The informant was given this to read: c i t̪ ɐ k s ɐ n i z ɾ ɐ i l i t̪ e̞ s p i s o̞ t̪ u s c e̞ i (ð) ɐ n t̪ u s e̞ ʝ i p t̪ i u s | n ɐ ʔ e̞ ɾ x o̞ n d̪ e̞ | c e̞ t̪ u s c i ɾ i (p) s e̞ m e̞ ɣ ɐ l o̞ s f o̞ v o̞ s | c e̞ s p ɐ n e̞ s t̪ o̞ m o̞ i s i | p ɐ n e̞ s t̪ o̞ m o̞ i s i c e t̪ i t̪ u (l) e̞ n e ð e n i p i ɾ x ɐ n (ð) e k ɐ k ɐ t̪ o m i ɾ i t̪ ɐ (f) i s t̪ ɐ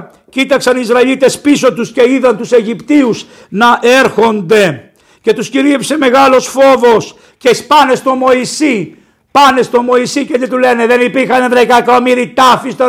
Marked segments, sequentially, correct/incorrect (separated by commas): correct, correct, correct, correct, correct